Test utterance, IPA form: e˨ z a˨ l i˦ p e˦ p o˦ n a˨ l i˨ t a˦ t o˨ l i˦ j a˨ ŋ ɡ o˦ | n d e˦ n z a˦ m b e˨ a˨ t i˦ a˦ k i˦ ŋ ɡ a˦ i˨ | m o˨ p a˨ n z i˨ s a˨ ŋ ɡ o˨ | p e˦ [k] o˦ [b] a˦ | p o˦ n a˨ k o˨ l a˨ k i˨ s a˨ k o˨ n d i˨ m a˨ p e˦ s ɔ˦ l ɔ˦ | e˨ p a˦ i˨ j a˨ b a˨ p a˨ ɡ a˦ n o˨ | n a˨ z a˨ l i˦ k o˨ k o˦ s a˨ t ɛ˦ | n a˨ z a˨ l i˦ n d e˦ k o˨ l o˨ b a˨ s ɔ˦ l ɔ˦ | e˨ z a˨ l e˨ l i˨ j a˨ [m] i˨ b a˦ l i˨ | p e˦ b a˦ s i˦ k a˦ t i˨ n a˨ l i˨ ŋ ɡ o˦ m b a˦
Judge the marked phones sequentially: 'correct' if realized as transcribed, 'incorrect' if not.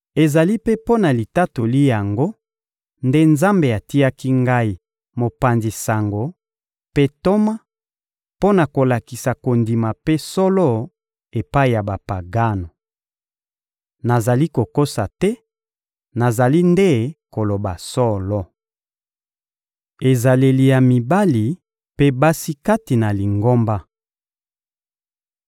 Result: incorrect, incorrect, correct

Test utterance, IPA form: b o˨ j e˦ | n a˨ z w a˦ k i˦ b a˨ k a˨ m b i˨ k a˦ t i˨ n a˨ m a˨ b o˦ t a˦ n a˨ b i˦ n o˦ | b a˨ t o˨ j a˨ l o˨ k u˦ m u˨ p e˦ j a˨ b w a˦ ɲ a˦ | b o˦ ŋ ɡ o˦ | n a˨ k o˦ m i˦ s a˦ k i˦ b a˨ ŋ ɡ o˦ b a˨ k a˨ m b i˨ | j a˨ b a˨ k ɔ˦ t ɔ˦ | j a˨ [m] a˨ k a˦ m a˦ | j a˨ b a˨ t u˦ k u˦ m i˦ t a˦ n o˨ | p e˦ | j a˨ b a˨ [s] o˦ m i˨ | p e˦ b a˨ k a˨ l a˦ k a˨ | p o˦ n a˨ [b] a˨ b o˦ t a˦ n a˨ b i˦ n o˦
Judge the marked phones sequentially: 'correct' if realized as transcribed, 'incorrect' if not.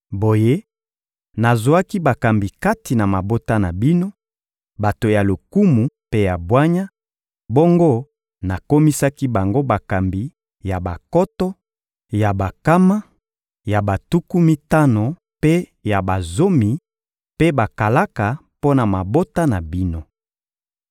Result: incorrect, incorrect, incorrect

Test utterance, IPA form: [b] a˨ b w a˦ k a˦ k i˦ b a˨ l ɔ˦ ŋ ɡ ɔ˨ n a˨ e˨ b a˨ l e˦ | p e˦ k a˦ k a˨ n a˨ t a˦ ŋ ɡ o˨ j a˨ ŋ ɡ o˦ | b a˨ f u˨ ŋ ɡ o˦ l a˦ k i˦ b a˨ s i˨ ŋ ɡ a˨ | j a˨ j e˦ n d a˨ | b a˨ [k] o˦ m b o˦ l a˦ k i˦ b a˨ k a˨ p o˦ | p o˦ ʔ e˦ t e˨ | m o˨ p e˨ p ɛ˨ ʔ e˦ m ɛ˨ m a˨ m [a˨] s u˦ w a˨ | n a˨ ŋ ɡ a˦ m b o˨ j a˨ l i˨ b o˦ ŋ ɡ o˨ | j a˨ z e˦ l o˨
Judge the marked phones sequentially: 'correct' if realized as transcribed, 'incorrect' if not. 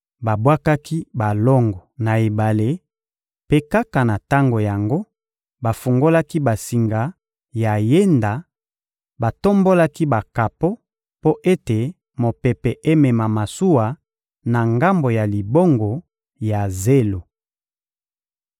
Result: correct, incorrect, correct

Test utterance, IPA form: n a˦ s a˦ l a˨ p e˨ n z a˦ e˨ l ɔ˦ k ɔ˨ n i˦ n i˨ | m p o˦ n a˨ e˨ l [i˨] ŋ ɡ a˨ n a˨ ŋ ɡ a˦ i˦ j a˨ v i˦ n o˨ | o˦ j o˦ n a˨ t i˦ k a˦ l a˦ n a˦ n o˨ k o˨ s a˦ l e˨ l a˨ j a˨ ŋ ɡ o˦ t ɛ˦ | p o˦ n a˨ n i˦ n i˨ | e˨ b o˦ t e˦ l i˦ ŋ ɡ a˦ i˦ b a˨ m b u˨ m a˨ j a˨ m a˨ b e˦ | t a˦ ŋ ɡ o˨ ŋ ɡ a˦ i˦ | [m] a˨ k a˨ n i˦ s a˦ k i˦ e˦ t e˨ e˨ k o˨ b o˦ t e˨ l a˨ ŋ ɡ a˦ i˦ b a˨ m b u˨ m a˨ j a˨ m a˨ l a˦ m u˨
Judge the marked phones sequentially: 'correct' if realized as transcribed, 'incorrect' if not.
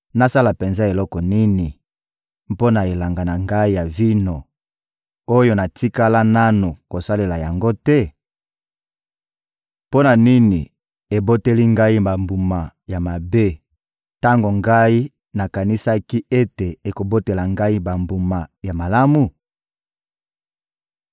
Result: incorrect, incorrect

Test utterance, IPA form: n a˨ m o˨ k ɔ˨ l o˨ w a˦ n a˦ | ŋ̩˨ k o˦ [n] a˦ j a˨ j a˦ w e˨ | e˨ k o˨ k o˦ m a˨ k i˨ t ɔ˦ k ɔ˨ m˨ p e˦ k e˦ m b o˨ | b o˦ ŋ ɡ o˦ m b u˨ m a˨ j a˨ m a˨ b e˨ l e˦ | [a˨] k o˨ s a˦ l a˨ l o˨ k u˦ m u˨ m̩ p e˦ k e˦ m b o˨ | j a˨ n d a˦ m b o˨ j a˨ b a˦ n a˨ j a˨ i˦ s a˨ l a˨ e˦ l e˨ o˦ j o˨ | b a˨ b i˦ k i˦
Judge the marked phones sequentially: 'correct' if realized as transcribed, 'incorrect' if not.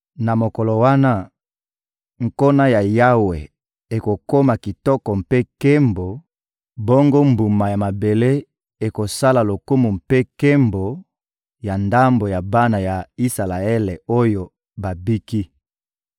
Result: correct, incorrect

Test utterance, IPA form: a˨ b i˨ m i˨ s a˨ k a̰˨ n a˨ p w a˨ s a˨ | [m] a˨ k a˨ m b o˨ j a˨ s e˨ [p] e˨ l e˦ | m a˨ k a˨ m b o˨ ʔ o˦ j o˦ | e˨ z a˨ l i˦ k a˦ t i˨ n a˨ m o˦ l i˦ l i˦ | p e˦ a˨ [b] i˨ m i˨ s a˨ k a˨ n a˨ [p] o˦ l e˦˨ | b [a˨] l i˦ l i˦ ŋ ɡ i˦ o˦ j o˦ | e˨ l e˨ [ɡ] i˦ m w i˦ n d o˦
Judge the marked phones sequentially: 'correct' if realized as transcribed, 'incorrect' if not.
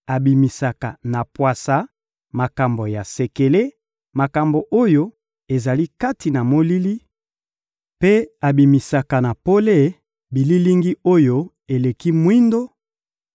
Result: correct, incorrect, correct, correct, incorrect, incorrect

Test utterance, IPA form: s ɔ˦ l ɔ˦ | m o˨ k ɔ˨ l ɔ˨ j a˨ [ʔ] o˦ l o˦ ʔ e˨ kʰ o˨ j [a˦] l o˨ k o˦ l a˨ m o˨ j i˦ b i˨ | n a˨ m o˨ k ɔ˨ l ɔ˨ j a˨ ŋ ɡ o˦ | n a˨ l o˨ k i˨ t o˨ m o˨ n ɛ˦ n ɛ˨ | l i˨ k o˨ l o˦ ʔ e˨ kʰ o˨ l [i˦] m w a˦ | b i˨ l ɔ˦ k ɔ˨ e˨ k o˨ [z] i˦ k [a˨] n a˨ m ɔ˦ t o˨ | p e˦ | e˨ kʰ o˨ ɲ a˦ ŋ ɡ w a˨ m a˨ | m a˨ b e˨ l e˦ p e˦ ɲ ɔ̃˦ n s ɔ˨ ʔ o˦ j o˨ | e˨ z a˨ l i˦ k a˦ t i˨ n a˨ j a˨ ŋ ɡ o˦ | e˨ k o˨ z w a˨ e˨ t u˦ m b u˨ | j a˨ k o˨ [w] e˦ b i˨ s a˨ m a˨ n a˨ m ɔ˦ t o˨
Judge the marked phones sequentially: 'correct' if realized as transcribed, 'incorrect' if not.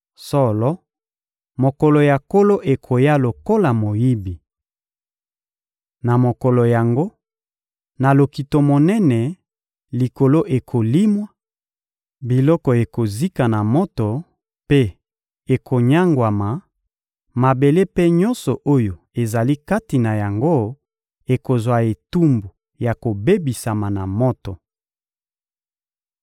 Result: incorrect, correct, correct, correct, correct, incorrect

